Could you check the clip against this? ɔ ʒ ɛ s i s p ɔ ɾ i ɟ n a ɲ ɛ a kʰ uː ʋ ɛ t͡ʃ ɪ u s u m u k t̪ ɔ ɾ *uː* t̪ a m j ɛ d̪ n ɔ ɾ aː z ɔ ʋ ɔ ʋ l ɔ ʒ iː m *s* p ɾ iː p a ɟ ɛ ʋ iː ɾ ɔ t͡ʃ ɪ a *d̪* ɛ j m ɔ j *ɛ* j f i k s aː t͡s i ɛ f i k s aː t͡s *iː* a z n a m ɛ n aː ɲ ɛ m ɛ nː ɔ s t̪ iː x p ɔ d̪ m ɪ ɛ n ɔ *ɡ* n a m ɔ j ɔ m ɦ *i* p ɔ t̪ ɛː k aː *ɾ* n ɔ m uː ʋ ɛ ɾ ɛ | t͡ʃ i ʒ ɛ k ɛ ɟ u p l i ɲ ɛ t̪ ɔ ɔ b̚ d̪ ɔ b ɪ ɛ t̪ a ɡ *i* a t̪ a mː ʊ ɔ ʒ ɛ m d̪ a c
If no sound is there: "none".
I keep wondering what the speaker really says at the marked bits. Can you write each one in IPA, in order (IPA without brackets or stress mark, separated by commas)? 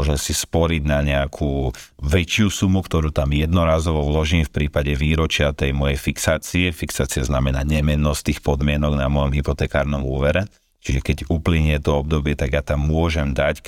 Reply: uː, f, t̪, ɛ, i, ɡ, i, ɾ, j